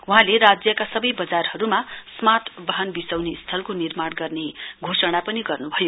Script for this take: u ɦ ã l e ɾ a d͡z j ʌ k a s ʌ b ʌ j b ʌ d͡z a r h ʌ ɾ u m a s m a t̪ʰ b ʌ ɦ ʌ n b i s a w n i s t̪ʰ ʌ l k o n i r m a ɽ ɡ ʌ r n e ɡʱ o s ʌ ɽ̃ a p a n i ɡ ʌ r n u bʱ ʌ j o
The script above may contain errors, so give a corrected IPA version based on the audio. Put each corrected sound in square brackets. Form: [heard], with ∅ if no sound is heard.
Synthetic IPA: u ɦ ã l e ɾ a d͡z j ʌ k a s ʌ b ʌ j b ʌ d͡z a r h ʌ ɾ u m a s m a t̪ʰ b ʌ ɦ ʌ n b i s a w n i s t̪ʰ ʌ l k o n i r m a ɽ ɡ ʌ r n e ɡʱ o s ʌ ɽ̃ a p [ʌ] n i ɡ ʌ r n u bʱ ʌ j o